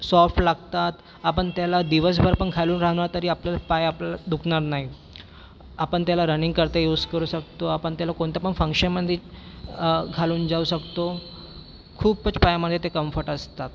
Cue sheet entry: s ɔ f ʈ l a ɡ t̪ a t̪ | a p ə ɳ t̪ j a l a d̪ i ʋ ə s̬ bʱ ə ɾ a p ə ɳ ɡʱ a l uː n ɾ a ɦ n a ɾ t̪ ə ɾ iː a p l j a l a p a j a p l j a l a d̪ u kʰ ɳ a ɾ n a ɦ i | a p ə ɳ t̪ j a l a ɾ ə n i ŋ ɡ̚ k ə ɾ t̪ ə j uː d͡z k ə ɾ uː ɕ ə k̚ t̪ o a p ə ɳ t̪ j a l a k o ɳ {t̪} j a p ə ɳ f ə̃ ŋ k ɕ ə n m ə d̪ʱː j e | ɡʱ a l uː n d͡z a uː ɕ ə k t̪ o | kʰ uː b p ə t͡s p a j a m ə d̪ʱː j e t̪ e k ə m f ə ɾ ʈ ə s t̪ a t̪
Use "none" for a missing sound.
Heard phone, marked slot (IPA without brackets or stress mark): t̪